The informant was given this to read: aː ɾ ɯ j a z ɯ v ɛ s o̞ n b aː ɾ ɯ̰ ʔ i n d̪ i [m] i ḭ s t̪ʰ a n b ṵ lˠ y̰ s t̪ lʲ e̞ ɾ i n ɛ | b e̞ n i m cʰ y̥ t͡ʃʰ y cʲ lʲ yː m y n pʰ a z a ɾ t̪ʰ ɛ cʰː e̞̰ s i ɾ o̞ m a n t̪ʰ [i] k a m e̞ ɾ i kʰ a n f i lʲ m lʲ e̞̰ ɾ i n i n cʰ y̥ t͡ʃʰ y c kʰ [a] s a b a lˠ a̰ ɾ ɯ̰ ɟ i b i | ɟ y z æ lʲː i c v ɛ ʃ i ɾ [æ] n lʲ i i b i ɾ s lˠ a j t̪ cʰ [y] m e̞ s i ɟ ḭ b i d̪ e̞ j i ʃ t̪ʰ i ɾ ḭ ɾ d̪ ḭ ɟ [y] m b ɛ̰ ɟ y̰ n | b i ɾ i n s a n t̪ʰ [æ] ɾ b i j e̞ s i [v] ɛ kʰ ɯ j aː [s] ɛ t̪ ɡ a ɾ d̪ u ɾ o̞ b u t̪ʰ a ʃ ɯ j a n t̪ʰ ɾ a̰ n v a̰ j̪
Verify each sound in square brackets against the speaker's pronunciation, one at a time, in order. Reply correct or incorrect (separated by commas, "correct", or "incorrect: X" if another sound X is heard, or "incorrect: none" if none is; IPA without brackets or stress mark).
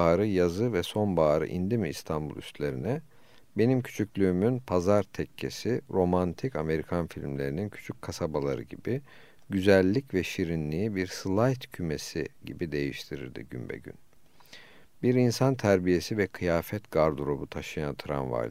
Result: correct, correct, correct, incorrect: i, correct, correct, correct, correct, incorrect: f